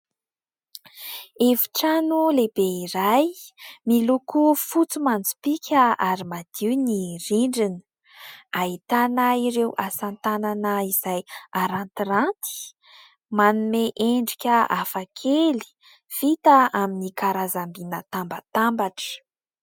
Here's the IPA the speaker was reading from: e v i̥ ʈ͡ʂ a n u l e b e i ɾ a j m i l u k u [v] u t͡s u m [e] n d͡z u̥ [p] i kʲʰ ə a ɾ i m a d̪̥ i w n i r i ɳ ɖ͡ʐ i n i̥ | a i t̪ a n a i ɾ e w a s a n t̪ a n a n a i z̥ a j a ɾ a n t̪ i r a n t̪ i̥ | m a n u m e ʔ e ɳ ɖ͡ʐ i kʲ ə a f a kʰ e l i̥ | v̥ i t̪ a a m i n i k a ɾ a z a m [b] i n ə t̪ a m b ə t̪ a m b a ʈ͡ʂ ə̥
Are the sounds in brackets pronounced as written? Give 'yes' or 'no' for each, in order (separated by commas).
no, no, yes, yes